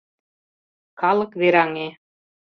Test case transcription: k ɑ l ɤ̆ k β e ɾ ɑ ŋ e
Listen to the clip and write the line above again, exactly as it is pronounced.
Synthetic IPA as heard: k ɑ l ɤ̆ k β e ɾ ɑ ŋ e